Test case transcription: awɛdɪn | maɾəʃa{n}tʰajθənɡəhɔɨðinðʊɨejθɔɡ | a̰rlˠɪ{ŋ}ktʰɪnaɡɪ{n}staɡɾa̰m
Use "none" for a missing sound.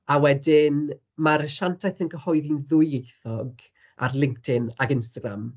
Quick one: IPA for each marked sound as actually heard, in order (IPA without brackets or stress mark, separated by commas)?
n, ŋ, n